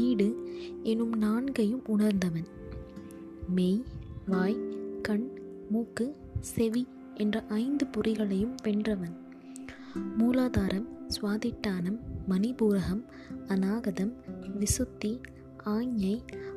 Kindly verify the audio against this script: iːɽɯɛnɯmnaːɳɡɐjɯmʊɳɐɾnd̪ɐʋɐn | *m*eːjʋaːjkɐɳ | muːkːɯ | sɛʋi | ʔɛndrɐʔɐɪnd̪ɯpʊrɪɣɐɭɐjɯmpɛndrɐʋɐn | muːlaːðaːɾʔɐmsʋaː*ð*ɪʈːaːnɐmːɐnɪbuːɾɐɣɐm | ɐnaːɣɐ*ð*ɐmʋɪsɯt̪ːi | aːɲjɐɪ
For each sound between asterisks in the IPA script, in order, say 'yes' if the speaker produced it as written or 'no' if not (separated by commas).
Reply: yes, yes, yes